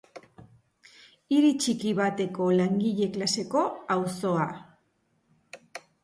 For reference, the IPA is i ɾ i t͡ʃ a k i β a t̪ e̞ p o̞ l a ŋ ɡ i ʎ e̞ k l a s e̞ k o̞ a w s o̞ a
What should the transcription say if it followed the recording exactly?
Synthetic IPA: i ɾ i t͡ʃ i k i β a t̪ e̞ k o̞ l a ŋ ɡ i ʎ e̞ k l a s e̞ k o̞ a w s o̞ a